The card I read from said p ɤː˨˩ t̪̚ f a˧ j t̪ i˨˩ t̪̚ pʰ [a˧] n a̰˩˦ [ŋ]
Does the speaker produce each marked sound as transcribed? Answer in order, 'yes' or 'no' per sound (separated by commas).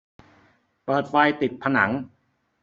yes, yes